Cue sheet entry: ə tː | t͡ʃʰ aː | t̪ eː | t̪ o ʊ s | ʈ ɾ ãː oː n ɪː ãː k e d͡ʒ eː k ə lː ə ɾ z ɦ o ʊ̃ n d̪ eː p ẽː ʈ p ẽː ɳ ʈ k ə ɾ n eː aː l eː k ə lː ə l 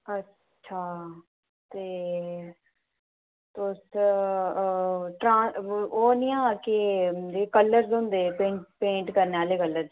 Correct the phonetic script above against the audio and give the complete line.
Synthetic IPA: ə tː | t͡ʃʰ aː | t̪ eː | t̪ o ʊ s | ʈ ɾ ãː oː n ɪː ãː k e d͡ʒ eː k ə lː ə ɾ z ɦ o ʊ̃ n d̪ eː p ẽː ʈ p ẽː ɳ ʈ k ə ɾ n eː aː l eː k ə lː ə ɾ